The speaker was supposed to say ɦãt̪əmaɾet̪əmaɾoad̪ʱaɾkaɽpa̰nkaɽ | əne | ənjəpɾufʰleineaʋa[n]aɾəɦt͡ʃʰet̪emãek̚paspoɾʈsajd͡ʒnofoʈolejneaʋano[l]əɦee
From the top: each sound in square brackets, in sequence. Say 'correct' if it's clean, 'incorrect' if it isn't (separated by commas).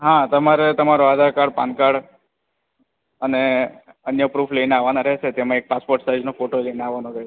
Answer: correct, incorrect